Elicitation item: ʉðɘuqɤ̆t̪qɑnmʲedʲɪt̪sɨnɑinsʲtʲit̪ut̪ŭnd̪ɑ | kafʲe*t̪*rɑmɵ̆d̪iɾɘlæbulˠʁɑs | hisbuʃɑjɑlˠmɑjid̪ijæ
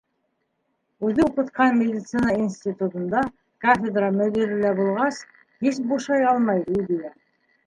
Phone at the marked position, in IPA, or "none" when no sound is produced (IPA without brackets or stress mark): d̪